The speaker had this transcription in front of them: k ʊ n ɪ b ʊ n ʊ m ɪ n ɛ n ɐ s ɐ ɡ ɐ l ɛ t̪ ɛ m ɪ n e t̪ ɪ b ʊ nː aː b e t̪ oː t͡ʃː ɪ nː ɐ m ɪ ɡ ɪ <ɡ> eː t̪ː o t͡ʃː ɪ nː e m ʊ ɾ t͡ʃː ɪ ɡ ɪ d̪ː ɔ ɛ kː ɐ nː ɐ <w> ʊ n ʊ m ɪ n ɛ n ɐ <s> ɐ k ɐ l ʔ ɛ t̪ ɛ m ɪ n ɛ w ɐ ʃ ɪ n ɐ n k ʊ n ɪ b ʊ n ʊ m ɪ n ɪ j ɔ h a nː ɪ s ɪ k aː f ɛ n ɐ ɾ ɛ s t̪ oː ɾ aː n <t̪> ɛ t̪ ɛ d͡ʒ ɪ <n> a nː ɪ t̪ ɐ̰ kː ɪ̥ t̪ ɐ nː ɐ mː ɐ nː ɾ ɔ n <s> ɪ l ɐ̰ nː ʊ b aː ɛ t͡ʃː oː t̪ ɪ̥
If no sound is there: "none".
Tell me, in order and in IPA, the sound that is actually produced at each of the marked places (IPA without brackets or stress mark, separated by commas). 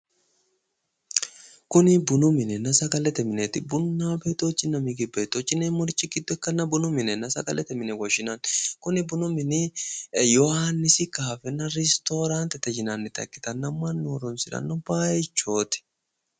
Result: b, b, s, t̪, n, s